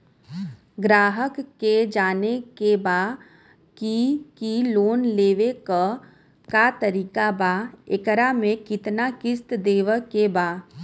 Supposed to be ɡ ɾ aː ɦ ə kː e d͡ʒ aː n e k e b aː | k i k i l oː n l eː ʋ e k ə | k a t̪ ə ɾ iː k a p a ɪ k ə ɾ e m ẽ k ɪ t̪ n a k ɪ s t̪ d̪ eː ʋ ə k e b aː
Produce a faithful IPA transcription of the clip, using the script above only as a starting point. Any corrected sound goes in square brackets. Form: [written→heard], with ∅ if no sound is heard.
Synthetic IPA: ɡ ɾ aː ɦ ə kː e d͡ʒ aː n e k e b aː | k i k i l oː n l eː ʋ e k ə | k a t̪ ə ɾ iː k a [p→b] a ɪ k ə ɾ [e→a] m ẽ k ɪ t̪ n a k ɪ s t̪ d̪ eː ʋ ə k e b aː